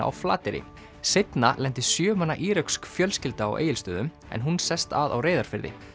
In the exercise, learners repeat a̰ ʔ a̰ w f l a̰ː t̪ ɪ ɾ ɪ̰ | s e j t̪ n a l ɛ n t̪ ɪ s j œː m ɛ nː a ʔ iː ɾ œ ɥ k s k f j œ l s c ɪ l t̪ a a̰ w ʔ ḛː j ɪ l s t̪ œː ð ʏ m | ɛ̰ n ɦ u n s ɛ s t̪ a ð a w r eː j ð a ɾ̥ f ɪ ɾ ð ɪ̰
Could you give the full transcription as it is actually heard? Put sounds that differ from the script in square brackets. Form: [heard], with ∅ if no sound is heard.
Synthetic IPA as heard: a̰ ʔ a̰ w f l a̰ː t̪ ɪ ɾ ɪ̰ | s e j t̪ n a l ɛ n t̪ ɪ s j œː m [a] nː a ʔ iː ɾ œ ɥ k s k f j œ l s c ɪ l t̪ a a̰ w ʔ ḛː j ɪ l s t̪ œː ð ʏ m | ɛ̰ n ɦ u n s ɛ s t̪ a ð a w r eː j ð a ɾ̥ f ɪ ɾ ð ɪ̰